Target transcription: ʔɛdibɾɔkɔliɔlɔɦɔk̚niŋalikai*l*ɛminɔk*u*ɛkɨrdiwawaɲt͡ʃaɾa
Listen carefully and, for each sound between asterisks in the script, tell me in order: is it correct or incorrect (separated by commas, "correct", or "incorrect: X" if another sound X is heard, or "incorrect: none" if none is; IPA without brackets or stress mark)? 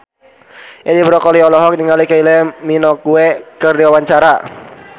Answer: correct, correct